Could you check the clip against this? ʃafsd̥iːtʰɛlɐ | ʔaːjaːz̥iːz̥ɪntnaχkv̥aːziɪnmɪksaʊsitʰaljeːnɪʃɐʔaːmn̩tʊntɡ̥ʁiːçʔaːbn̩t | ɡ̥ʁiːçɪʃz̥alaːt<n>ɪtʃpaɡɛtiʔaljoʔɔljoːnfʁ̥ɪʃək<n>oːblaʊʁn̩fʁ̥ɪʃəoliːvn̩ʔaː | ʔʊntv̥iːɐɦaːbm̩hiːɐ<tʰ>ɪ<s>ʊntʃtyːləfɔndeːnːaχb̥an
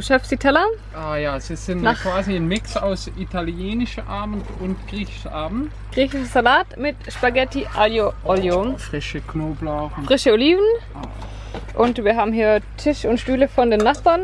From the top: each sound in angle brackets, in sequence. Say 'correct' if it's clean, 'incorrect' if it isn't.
incorrect, correct, correct, incorrect

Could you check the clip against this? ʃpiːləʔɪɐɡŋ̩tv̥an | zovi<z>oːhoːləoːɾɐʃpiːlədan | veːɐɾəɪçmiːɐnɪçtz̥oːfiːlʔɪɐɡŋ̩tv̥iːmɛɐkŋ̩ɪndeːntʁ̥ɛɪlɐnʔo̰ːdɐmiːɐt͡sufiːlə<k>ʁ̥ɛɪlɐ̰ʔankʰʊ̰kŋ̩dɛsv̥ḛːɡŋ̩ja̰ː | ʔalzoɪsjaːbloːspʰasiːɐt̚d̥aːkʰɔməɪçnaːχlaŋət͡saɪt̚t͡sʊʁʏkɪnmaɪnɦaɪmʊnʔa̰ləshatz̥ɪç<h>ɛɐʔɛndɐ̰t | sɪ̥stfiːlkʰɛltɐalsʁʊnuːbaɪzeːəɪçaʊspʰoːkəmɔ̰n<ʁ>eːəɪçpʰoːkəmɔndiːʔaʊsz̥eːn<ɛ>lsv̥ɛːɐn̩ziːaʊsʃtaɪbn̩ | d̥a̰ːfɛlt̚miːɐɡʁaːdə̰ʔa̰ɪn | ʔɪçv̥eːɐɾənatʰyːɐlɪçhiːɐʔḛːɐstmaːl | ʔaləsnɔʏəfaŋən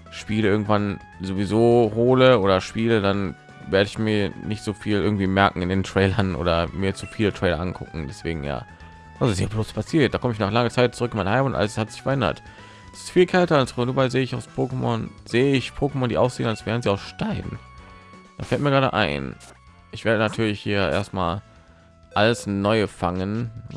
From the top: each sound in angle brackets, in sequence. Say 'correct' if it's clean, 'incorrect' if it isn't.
correct, incorrect, incorrect, incorrect, incorrect

